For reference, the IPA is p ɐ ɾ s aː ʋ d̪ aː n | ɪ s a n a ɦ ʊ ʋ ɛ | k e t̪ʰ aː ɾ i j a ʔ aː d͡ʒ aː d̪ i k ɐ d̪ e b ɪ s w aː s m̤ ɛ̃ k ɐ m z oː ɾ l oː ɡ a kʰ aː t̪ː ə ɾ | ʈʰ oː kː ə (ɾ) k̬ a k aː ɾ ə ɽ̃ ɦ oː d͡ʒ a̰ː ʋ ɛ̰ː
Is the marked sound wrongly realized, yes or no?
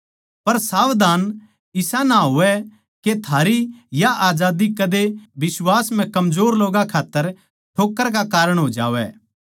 no